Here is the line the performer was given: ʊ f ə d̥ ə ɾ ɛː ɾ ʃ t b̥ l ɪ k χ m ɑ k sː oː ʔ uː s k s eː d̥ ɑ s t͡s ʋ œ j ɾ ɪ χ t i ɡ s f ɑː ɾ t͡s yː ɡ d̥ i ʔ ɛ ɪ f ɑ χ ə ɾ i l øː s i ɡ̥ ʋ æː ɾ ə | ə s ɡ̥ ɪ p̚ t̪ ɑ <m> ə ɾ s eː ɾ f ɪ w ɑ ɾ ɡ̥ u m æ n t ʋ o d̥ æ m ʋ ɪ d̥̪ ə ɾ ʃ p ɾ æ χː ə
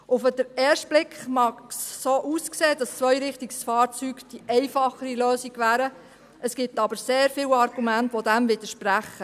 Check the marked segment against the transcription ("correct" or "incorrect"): incorrect